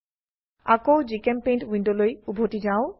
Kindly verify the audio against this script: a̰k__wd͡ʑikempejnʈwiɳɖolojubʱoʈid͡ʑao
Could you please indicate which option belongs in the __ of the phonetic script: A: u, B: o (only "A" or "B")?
B